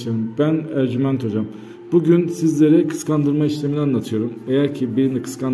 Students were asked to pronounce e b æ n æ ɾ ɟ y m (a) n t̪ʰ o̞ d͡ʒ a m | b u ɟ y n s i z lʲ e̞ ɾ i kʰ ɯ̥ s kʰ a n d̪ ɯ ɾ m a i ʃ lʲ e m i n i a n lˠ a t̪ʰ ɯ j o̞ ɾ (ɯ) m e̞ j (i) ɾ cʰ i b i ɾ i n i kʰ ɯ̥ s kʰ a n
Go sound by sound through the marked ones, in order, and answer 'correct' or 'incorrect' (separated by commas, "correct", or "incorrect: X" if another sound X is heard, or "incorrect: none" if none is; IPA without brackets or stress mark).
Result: incorrect: æ, incorrect: u, incorrect: æ